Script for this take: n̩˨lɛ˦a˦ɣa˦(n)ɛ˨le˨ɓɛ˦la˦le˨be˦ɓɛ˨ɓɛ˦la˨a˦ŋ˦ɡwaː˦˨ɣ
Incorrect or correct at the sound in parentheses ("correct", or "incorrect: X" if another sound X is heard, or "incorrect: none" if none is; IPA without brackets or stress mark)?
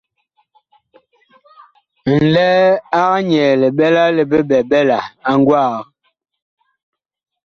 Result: incorrect: ɲ